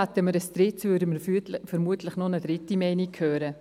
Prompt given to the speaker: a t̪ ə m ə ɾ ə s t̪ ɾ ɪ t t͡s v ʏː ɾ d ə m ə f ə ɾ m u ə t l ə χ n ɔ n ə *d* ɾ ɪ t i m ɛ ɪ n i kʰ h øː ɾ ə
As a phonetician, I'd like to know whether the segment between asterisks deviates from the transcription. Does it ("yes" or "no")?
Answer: no